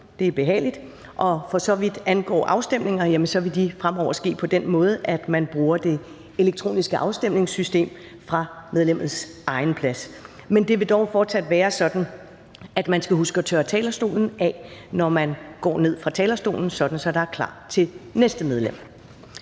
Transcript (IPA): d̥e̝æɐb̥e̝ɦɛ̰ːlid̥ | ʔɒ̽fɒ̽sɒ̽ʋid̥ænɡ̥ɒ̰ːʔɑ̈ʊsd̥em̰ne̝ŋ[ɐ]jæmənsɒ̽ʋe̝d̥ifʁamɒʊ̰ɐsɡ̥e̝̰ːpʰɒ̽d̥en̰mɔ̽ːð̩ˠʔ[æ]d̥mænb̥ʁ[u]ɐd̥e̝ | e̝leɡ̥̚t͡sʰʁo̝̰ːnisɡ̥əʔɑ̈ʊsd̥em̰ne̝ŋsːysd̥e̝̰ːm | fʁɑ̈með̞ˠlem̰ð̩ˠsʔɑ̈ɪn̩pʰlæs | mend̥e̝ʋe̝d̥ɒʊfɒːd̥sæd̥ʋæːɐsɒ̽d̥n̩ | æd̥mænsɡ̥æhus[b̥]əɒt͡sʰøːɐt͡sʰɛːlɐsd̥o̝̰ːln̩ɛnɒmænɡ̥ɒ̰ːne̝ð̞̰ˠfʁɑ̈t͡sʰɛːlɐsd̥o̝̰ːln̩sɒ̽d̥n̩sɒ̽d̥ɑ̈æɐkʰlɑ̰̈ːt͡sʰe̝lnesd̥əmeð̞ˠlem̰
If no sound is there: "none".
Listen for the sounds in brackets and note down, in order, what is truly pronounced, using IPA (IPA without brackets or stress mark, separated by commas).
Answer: ɐ, æ, uː, ɡ̥